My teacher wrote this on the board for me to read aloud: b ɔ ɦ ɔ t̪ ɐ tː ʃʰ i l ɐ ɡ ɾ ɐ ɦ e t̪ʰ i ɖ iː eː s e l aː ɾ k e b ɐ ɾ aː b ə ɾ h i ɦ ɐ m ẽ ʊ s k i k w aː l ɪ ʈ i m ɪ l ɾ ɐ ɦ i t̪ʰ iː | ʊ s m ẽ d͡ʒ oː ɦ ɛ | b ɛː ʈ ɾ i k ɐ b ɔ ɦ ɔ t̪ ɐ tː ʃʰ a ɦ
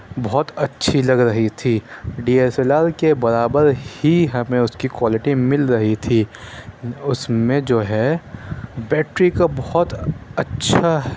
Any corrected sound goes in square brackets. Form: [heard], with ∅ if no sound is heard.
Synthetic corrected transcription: b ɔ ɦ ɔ t̪ ɐ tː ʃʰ i l ɐ ɡ ɾ ɐ ɦ [i] t̪ʰ i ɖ iː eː s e l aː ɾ k e b ɐ ɾ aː b ə ɾ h i ɦ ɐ m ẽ ʊ s k i k w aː l ɪ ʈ i m ɪ l ɾ ɐ ɦ i t̪ʰ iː | ʊ s m ẽ d͡ʒ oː ɦ ɛ | b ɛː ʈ ɾ i k [a] b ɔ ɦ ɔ t̪ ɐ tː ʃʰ a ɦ

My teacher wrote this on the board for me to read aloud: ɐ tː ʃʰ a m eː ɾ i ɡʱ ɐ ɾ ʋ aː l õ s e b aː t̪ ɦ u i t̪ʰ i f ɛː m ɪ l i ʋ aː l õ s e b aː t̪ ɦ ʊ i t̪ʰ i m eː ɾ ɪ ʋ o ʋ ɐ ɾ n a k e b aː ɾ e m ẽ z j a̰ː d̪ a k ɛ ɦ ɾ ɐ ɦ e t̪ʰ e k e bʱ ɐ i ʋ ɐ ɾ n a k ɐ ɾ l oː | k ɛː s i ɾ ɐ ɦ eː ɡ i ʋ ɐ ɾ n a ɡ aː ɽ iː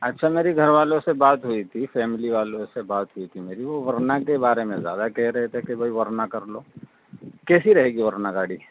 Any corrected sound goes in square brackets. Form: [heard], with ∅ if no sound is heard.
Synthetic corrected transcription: ɐ tː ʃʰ a m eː ɾ i ɡʱ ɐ ɾ ʋ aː l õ s e b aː t̪ ɦ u i t̪ʰ i f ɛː m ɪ l i ʋ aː l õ s e b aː t̪ ɦ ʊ i t̪ʰ i m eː ɾ [i] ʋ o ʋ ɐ ɾ n a k e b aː ɾ e m ẽ z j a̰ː d̪ a k ɛ ɦ ɾ ɐ ɦ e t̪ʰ e k e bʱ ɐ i ʋ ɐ ɾ n a k ɐ ɾ l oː | k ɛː s i ɾ ɐ ɦ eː ɡ i ʋ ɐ ɾ n a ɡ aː ɽ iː

